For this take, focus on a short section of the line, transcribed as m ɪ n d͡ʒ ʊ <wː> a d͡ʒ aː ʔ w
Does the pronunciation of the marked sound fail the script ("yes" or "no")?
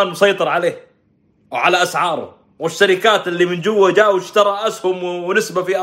no